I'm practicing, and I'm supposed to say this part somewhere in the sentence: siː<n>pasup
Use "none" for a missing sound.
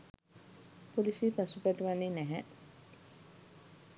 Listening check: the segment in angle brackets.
none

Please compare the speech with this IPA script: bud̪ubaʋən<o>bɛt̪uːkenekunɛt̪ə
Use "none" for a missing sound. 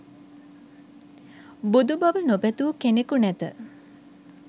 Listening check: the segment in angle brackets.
o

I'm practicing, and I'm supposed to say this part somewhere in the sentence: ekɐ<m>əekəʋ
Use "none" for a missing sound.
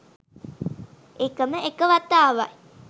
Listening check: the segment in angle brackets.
m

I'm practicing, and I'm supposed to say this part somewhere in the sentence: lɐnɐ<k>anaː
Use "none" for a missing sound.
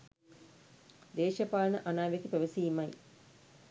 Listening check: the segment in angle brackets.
ʔ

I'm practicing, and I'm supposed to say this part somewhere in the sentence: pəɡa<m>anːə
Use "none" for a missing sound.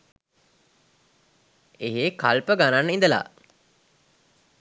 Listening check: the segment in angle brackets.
n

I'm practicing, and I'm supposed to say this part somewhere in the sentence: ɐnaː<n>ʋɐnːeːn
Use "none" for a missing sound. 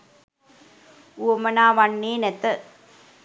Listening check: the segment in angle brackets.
none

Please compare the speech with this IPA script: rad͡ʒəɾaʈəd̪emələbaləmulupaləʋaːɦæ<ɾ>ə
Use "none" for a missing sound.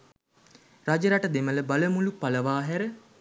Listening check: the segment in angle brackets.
ɾ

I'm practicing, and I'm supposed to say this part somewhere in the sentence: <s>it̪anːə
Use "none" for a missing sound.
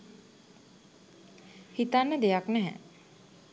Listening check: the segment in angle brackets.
h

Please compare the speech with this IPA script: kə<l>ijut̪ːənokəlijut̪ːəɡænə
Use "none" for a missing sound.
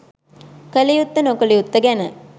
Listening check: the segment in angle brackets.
l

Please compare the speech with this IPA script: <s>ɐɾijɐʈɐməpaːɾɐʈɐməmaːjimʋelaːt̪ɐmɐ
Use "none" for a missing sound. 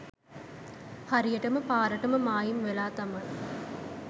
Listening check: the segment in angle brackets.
h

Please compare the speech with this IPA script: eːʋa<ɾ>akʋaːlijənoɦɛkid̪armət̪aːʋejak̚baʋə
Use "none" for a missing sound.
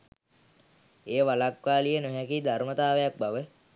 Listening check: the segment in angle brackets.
l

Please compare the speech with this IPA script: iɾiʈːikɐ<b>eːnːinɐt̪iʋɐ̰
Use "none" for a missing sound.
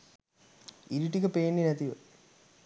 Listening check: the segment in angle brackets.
p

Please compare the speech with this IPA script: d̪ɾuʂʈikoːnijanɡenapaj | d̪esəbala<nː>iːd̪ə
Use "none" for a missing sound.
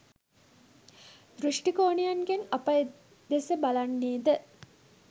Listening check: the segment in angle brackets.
nː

